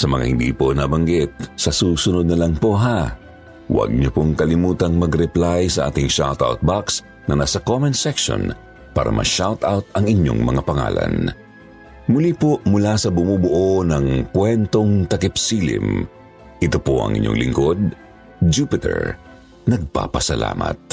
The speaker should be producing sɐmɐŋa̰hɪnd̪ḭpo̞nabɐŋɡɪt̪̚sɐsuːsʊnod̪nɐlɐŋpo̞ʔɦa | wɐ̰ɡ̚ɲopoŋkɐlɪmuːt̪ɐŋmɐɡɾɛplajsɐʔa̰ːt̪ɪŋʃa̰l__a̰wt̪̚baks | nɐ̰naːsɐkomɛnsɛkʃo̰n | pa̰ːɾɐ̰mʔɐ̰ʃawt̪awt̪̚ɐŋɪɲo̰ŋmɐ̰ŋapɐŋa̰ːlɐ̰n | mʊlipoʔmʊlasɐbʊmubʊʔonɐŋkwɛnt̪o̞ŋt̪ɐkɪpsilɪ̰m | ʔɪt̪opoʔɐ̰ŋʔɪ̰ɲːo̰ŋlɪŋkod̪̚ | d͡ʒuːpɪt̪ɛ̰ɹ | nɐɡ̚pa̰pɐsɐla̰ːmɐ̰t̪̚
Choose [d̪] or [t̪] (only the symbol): t̪